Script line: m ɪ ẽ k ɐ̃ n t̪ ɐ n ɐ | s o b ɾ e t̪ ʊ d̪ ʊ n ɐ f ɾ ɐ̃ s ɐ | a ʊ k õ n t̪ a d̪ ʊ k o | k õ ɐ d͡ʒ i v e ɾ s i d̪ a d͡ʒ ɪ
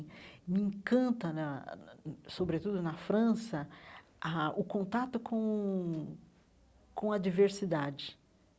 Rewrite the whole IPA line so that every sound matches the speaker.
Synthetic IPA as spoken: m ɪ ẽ k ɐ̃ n t̪ ɐ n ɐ | s o b ɾ e t̪ u d̪ ʊ n ɐ f ɾ ɐ̃ s ɐ | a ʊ k õ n t̪ a t̪ ʊ k õ | k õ ɐ d͡ʒ i v e ɾ s i d̪ a d͡ʒ ɪ